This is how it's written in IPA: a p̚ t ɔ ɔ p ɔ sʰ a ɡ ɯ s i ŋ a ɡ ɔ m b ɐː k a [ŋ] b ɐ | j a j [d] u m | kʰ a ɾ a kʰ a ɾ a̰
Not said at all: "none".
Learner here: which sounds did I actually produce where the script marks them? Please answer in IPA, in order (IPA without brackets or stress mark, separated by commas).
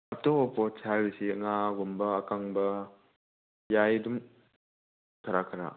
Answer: ŋ, d